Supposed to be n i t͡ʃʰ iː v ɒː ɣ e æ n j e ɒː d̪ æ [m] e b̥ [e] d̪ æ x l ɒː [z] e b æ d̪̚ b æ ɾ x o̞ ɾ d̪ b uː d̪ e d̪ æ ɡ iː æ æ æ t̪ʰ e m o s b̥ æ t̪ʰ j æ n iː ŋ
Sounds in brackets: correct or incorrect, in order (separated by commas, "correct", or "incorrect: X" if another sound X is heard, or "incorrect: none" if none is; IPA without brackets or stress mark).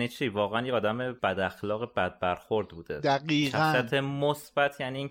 correct, incorrect: æ, incorrect: ɣ